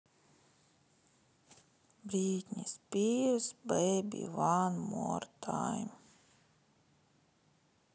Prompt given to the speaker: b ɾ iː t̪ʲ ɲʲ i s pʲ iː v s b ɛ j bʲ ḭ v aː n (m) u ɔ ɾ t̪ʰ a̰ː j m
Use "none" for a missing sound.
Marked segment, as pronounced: m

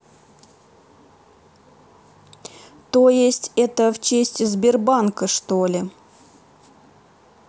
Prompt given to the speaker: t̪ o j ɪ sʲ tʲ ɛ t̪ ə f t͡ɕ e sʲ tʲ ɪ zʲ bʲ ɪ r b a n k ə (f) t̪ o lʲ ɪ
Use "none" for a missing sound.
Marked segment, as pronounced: ʂ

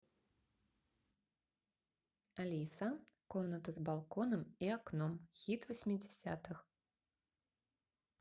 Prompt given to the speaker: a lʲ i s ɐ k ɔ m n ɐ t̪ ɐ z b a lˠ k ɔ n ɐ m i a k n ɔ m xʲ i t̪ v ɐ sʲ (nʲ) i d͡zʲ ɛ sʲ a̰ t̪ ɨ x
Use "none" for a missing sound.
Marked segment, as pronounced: mʲ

